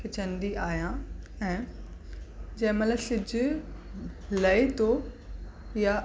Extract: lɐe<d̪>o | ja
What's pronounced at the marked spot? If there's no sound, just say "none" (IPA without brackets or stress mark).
t̪